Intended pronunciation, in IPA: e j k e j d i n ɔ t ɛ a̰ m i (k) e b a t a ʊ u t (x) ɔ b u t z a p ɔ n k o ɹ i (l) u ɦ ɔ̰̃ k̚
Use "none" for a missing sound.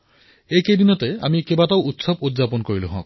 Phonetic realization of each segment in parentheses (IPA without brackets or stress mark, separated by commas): k, s, l